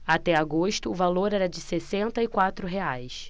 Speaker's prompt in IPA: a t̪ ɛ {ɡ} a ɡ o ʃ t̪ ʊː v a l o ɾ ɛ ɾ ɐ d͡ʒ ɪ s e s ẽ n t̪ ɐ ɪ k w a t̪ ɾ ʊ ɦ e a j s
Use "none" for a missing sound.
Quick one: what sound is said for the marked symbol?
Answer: none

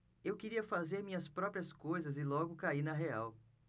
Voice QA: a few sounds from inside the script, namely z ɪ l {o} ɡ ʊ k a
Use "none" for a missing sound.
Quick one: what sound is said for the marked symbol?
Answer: ɔ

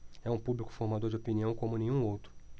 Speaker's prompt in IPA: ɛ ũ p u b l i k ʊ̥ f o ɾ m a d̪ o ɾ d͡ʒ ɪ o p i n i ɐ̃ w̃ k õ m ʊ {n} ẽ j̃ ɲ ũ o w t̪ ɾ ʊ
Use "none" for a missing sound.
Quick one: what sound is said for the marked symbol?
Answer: n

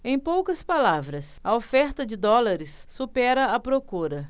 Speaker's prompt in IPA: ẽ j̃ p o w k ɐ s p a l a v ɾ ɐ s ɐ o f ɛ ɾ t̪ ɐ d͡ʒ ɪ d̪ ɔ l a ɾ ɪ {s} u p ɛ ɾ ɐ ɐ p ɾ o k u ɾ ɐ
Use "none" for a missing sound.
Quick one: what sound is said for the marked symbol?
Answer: sː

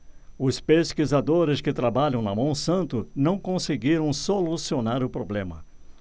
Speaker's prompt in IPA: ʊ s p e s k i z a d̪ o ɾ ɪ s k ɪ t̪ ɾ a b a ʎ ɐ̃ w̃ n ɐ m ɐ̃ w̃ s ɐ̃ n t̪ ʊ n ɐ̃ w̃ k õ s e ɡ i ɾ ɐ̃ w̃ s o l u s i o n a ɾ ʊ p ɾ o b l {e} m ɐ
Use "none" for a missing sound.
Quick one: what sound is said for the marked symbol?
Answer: ẽ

